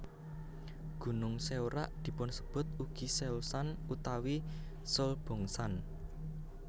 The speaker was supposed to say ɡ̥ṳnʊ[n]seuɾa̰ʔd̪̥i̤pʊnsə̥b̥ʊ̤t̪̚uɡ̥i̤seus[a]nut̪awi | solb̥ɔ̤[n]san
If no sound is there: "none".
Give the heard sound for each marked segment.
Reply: ŋ, a, ŋ

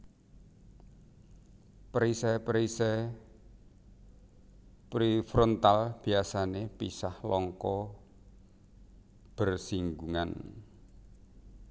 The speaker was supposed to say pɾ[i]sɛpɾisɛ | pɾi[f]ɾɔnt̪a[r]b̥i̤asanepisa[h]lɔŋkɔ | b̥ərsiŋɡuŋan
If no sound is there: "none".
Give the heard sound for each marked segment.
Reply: i, f, l, h

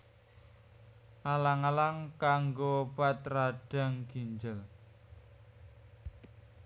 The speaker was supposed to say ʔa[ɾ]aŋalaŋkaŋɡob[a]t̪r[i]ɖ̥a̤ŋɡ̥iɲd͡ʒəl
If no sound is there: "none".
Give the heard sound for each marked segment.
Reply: l, a, a

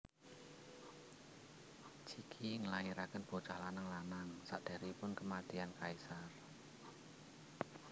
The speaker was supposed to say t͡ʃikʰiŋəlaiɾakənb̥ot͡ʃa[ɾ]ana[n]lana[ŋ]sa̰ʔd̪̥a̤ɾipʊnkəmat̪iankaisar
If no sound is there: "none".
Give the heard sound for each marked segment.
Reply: l, ŋ, ŋ

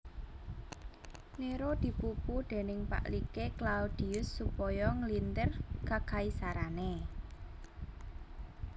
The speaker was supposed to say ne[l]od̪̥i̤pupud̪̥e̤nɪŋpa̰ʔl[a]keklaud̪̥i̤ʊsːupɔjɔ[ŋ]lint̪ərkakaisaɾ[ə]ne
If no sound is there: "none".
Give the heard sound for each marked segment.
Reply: ɾ, i, ŋ, a

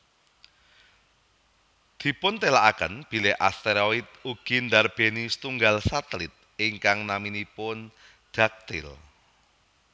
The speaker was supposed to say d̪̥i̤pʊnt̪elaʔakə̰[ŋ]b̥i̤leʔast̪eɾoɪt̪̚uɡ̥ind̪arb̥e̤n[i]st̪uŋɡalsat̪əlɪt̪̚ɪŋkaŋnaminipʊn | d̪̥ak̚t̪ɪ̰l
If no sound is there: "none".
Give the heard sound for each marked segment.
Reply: n, i

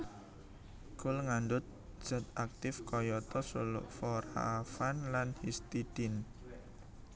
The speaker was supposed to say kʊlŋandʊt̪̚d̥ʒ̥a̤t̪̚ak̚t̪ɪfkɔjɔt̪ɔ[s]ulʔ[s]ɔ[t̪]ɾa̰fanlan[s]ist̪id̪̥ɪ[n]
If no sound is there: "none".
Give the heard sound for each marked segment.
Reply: s, f, none, h, n

